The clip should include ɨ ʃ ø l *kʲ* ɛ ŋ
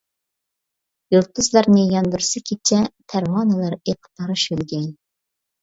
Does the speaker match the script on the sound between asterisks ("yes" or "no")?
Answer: no